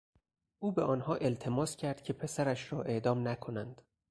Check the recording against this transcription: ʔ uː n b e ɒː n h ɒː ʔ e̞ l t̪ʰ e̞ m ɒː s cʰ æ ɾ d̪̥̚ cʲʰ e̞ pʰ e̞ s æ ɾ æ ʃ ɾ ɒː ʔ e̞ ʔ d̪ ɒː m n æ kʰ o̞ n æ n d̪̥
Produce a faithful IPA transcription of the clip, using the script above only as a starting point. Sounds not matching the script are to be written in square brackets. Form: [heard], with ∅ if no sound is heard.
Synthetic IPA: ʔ uː [∅] b e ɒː n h ɒː ʔ e̞ l t̪ʰ e̞ m ɒː s cʰ æ ɾ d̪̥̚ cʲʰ e̞ pʰ e̞ s æ ɾ æ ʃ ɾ ɒː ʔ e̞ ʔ d̪ ɒː m n æ kʰ o̞ n æ n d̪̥